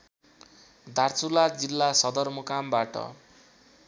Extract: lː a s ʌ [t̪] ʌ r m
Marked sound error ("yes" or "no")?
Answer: yes